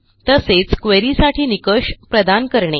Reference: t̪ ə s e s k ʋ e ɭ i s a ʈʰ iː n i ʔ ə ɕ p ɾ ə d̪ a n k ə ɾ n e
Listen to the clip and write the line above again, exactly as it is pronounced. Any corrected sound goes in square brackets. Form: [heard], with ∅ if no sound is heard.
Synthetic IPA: t̪ ə s e [t͡s] k ʋ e [ɾ] i s a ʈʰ iː n i [k] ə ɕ p ɾ ə d̪ a n k ə ɾ [ɳ] e

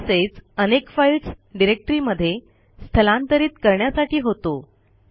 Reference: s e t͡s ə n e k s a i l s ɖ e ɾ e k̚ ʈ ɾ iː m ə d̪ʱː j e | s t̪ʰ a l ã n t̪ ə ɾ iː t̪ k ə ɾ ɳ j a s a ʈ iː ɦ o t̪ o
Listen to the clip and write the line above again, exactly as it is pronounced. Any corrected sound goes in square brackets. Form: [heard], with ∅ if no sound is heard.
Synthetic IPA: s e t͡s ə n e k [f] a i l s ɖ [i] ɾ e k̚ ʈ ɾ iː m ə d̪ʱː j e | s t̪ʰ [ə] l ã n t̪ ə ɾ iː t̪ k ə ɾ ɳ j a s a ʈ iː ɦ o t̪ o

